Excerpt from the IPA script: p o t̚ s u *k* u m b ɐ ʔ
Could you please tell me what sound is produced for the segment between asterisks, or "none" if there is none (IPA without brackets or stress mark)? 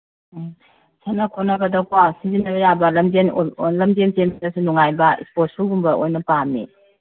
ɡ